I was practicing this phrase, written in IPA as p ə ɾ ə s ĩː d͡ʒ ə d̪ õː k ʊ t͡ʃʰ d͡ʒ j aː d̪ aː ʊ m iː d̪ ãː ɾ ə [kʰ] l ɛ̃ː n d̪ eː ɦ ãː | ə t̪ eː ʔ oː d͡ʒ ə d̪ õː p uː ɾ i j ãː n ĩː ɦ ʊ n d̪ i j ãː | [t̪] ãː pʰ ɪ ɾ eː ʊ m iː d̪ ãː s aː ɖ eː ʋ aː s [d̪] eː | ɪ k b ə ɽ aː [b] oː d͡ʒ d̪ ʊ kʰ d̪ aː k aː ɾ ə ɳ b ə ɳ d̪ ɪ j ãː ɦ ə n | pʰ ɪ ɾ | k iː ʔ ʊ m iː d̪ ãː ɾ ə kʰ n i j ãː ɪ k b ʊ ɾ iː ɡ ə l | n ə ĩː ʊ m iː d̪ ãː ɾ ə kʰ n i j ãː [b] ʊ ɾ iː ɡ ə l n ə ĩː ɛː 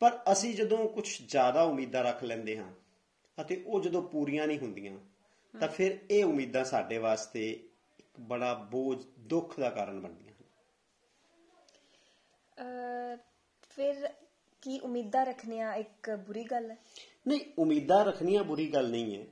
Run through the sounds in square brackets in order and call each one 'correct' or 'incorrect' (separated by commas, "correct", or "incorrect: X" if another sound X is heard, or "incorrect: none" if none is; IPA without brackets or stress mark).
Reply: correct, correct, incorrect: t̪, correct, correct